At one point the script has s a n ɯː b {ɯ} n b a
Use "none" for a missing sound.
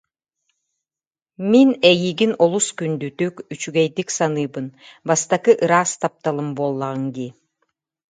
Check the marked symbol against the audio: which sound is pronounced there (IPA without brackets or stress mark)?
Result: ɯ